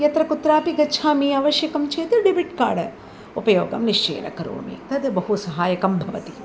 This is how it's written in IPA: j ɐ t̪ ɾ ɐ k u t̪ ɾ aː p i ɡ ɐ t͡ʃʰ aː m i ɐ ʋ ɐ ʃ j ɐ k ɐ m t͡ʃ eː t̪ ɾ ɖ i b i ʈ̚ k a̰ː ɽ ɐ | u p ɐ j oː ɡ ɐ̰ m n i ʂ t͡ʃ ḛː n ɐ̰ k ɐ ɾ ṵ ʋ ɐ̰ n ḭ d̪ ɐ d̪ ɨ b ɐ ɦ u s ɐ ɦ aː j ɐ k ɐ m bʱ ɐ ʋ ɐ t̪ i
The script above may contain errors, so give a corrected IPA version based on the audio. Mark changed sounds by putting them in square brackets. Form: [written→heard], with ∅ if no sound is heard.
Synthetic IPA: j ɐ t̪ ɾ ɐ k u t̪ ɾ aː p i ɡ ɐ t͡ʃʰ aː m i ɐ ʋ ɐ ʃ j ɐ k ɐ m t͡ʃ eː t̪ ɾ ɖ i b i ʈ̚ k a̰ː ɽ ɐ | u p ɐ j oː ɡ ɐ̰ m n i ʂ t͡ʃ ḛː n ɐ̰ k ɐ ɾ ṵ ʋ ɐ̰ [n→m] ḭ [d̪→t̪] ɐ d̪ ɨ b ɐ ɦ u s ɐ ɦ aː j ɐ k ɐ m bʱ ɐ ʋ ɐ t̪ i

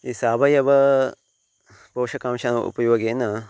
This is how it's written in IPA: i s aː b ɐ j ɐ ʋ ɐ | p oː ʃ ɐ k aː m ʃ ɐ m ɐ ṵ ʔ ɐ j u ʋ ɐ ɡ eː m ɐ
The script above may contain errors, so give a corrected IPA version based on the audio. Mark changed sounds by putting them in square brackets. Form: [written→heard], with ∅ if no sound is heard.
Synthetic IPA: i s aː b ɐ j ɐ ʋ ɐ | p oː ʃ ɐ k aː m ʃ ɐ [m→n] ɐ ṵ [ʔ→p] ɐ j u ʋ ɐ ɡ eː [m→n] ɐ

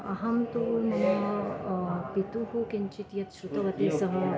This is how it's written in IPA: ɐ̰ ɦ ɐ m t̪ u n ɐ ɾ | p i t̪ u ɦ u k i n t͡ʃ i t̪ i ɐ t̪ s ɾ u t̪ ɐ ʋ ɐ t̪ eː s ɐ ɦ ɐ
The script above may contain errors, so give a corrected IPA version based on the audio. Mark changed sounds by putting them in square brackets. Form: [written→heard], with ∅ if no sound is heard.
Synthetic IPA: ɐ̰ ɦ ɐ m t̪ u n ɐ [ɾ→∅] | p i t̪ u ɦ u k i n t͡ʃ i t̪ [i→j] ɐ t̪ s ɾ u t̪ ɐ ʋ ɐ t̪ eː s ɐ ɦ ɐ

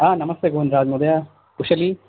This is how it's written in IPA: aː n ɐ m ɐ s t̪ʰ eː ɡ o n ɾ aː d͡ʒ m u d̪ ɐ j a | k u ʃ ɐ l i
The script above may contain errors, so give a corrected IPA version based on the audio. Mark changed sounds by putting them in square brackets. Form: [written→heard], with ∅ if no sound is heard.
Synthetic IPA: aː n ɐ m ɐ s [t̪ʰ→t̪] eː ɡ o n ɾ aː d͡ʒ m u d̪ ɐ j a | k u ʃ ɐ l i

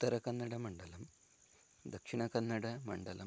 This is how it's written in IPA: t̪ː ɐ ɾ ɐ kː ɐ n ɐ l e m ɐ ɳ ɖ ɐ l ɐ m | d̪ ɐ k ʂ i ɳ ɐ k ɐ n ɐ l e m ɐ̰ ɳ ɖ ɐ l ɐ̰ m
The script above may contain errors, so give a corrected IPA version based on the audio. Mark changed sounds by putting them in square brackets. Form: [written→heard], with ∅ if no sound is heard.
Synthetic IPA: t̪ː ɐ ɾ ɐ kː ɐ [n→nː] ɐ [l→ɽ] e m ɐ ɳ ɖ ɐ l ɐ m | d̪ ɐ k ʂ i ɳ ɐ k ɐ [n→nː] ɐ [l→ɽ] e m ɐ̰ ɳ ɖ ɐ l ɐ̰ m

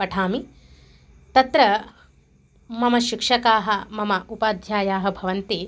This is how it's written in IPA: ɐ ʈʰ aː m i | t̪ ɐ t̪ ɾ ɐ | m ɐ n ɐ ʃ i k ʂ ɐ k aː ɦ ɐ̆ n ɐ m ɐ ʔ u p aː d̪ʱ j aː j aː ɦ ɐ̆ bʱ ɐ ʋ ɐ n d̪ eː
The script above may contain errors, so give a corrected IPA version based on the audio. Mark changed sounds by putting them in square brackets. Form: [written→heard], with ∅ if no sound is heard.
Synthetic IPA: ɐ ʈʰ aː m i | t̪ ɐ t̪ ɾ ɐ | m ɐ [n→m] ɐ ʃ i k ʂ ɐ k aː ɦ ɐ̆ [n→m] ɐ m ɐ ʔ u p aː d̪ʱ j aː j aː ɦ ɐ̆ bʱ ɐ ʋ ɐ n [d̪→t̪] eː

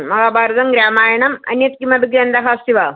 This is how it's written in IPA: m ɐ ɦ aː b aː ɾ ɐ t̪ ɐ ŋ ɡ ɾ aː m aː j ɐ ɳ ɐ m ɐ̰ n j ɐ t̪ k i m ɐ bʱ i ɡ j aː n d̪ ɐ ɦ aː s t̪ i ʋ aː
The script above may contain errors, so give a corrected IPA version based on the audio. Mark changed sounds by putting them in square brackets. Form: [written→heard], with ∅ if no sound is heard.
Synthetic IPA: m ɐ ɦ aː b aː ɾ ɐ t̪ ɐ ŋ ɡ ɾ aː m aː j ɐ ɳ ɐ m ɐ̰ n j ɐ t̪ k i m ɐ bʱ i ɡ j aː n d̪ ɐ ɦ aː s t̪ i ʋ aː

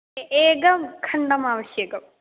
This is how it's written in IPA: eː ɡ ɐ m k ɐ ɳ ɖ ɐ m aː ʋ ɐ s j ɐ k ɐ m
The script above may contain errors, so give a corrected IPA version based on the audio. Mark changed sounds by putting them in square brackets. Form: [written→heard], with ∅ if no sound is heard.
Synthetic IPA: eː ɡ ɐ m [k→kʰ] ɐ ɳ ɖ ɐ m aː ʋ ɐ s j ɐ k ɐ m

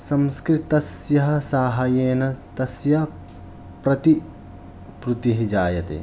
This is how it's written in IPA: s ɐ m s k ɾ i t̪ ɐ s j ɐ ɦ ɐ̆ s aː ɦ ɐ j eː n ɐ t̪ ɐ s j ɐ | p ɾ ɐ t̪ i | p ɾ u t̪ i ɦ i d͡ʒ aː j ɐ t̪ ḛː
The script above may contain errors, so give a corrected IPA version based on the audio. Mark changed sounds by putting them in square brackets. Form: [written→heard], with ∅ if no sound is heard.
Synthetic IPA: s ɐ m s k ɾ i t̪ ɐ s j ɐ ɦ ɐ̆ s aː ɦ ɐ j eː n ɐ t̪ ɐ s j ɐ | p ɾ ɐ t̪ i | p ɾ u t̪ i ɦ i d͡ʒ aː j ɐ t̪ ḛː

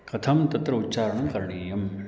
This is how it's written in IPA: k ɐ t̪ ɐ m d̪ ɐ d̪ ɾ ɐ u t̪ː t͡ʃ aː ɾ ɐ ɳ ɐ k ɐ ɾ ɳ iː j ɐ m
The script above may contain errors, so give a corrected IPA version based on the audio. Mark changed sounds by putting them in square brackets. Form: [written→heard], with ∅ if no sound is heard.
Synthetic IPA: k ɐ [t̪→t̪ʰ] ɐ m [d̪→t̪] ɐ [d̪→t̪] ɾ ɐ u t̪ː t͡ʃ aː ɾ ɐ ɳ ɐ k ɐ ɾ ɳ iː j ɐ m

